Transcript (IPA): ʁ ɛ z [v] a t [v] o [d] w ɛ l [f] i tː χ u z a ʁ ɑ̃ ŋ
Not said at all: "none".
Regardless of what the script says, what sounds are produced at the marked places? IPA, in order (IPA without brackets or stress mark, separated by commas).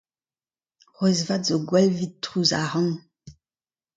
v, z, ɡ, v